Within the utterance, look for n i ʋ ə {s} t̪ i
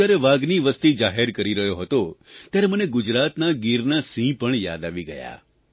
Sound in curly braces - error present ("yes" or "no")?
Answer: no